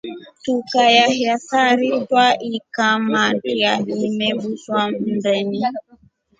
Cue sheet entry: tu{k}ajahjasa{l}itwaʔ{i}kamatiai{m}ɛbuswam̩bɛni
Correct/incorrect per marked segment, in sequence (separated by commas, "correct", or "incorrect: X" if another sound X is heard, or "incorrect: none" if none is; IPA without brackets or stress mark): correct, incorrect: ɾ, correct, correct